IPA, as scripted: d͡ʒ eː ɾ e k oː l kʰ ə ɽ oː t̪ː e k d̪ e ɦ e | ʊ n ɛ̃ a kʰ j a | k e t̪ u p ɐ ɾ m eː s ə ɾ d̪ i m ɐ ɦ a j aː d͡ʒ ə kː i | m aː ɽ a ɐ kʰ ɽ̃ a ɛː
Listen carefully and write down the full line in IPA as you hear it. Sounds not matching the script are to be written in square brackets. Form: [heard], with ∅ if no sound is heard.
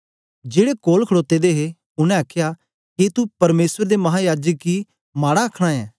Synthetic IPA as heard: d͡ʒ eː [ɽ] e k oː l kʰ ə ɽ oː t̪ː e [∅] d̪ e ɦ e | ʊ n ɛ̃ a kʰ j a | k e t̪ u p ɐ ɾ m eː s ə ɾ d̪ [e] m ɐ ɦ a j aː d͡ʒ ə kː i | m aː ɽ a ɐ kʰ ɽ̃ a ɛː